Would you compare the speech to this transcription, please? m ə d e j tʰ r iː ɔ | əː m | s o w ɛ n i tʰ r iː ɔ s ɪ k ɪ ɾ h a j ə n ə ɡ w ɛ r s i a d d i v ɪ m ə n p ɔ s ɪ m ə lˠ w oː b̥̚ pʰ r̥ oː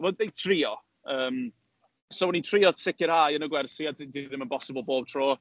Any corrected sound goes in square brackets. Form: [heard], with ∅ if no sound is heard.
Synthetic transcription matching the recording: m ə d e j tʰ r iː ɔ | əː m | s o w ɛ n i tʰ r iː ɔ s ɪ k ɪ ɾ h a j ə n ə ɡ w ɛ r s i a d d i [ð] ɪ m ə n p ɔ s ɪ [b] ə lˠ [b] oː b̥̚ [tʰ] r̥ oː